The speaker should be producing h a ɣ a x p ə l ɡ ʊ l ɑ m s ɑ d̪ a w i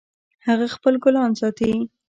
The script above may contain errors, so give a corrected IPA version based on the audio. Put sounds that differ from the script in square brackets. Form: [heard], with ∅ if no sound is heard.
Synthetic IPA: h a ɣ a x p ə l ɡ ʊ l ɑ [n] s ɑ [t̪] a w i